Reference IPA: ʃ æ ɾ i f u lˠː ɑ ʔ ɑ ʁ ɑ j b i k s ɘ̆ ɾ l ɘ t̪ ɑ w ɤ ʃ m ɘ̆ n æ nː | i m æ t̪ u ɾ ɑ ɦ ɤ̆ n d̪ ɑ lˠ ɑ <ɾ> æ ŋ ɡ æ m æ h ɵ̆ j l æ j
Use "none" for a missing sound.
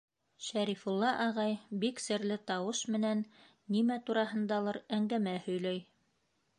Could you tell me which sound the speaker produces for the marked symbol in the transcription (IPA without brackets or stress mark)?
ɾ